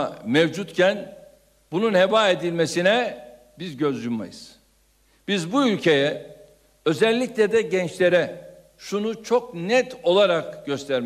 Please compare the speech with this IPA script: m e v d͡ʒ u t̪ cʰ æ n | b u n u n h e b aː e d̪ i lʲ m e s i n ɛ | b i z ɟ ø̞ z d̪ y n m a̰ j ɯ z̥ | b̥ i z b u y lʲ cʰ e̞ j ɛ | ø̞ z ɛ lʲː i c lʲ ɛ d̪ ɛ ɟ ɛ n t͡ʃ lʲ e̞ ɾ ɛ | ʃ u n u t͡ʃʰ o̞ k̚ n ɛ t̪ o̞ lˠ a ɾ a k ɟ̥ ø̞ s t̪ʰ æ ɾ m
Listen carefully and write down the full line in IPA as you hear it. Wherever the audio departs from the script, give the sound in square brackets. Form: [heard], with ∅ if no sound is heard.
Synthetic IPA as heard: m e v d͡ʒ u t̪ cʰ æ n | b u n u n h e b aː e d̪ i lʲ m e s i n ɛ | b i z ɟ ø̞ z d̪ y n m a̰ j ɯ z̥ | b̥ i z b u y lʲ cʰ e̞ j ɛ | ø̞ z ɛ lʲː i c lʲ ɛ d̪ ɛ ɟ ɛ n t͡ʃ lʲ e̞ ɾ ɛ | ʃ u n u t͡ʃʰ o̞ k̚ n ɛ t̪ o̞ lˠ a ɾ a k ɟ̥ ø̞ s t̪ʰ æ ɾ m